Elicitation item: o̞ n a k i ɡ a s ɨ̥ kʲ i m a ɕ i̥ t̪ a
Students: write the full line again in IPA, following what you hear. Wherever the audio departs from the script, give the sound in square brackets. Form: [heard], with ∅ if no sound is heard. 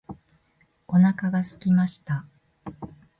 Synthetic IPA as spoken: o̞ n a k [a] ɡ a s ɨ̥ kʲ i m a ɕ i̥ t̪ a

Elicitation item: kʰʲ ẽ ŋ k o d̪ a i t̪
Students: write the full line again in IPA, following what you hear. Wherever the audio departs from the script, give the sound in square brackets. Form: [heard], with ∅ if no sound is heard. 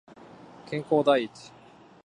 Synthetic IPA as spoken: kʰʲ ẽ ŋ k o d̪ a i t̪

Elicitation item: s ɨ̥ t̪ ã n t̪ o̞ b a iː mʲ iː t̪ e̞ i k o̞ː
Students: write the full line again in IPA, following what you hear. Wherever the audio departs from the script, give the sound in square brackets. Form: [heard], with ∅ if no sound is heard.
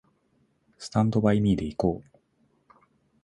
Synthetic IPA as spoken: s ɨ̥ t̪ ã n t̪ o̞ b a [i] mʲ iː [d̪] e̞ i k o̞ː

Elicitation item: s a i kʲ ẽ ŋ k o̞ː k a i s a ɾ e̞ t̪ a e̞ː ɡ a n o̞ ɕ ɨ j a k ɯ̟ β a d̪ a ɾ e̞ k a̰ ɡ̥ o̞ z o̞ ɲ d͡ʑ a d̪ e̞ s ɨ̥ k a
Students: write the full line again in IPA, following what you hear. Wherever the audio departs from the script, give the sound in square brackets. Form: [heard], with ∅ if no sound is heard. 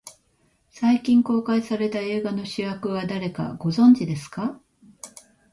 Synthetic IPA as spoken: s a i kʲ [ĩ] ŋ k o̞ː k a i s a ɾ e̞ t̪ a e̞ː ɡ a n o̞ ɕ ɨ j a k ɯ̟ β a d̪ a ɾ e̞ k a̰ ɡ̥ o̞ z [õ̞] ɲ d͡ʑ [i] d̪ e̞ s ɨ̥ k a

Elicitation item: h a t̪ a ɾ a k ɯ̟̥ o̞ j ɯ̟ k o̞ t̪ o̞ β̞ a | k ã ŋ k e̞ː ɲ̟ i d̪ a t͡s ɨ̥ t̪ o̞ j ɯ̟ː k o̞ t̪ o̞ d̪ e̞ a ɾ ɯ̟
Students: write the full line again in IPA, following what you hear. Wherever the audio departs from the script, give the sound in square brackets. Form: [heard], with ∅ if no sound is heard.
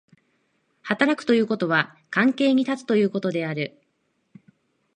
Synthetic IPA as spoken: h a t̪ a ɾ a k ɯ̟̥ o̞ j [ɯ̟ː] k o̞ t̪ o̞ β̞ a | k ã ŋ k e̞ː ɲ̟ i [t̪] a t͡s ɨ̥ t̪ o̞ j ɯ̟ː k o̞ t̪ o̞ d̪ e̞ a ɾ ɯ̟

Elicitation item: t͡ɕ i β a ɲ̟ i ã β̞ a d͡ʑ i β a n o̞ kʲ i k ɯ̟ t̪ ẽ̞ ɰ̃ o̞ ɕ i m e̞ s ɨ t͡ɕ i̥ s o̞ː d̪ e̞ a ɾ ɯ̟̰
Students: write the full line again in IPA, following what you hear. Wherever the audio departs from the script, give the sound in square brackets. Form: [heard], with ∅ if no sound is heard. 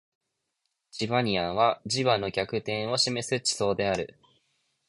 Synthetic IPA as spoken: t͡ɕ i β a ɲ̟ i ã β̞ a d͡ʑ i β a n o̞ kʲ [a] k ɯ̟ t̪ ẽ̞ ɰ̃ o̞ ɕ i m e̞ s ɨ t͡ɕ i̥ s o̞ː d̪ e̞ a ɾ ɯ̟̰

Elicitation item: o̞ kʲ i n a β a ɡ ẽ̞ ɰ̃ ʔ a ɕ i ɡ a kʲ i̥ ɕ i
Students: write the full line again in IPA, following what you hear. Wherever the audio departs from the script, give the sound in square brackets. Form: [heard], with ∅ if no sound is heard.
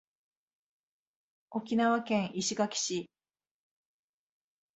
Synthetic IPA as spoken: o̞ kʲ i n a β a [k] ẽ̞ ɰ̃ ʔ [i] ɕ i ɡ a kʲ i̥ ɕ i

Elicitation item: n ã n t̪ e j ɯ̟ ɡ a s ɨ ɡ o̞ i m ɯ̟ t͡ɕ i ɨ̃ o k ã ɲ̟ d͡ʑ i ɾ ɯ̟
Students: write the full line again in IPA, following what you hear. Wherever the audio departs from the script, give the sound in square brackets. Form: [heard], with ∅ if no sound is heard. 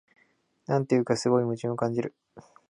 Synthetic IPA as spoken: n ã n t̪ e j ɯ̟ [k] a s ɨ ɡ o̞ i m ɯ̟ t͡ɕ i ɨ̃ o k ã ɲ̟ d͡ʑ i ɾ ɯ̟

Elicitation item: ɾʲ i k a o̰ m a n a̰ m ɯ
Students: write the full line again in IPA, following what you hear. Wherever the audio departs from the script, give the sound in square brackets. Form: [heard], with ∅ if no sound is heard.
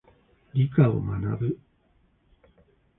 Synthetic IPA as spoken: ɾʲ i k a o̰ m a n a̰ [b] ɯ

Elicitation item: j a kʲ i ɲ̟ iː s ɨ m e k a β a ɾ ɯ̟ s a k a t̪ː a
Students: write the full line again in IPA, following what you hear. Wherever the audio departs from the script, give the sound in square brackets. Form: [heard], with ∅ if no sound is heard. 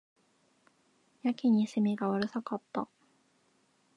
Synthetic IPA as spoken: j a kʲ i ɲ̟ [i] s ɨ m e [ɡ] a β a ɾ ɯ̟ s a k a t̪ː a

